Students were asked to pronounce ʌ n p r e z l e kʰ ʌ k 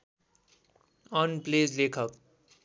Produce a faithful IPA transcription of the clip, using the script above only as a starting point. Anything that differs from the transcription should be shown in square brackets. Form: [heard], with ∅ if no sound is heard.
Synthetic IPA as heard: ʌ n p [l] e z l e kʰ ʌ k